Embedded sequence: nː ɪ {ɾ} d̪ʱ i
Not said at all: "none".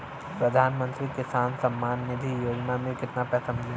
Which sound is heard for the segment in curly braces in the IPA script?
none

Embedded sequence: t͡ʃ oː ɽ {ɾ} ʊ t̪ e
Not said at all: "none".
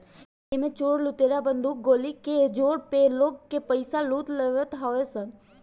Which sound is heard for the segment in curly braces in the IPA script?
l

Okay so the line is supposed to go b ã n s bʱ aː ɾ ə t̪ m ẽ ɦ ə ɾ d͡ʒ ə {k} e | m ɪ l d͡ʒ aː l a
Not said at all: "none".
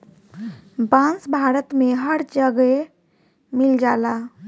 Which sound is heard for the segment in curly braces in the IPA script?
ɡ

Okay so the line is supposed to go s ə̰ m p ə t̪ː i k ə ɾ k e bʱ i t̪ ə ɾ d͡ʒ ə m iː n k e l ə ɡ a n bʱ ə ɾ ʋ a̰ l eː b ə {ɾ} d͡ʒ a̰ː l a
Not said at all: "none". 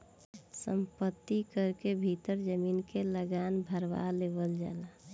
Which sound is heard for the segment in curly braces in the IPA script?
l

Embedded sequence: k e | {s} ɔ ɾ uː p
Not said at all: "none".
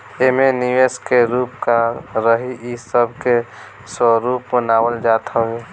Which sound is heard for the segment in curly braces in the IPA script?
s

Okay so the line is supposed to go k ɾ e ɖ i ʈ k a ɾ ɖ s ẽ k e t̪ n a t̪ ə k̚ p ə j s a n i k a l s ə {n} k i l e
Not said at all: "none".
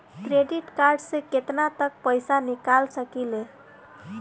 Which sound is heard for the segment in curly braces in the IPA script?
none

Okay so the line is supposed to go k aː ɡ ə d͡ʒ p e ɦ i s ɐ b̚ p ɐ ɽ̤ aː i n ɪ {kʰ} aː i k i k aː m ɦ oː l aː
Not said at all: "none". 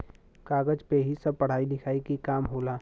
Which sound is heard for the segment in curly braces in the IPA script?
kʰ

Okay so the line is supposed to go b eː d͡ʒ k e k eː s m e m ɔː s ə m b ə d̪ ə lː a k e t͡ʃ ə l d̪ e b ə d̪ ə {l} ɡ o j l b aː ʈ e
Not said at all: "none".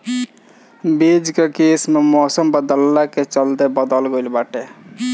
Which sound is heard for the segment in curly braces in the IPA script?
l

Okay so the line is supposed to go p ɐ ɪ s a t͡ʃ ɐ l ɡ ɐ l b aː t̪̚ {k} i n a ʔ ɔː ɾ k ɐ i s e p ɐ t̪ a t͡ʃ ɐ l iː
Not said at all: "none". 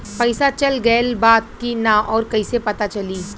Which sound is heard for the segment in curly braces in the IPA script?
k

